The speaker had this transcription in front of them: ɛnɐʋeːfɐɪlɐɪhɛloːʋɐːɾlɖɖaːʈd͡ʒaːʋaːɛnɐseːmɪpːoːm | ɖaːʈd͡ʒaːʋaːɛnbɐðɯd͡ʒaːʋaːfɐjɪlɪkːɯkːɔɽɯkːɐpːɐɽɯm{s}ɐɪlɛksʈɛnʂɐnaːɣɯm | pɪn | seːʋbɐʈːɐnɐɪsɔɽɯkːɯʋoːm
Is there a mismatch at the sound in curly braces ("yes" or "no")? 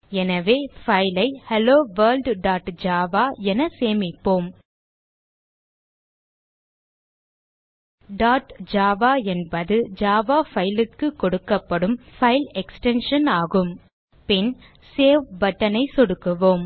yes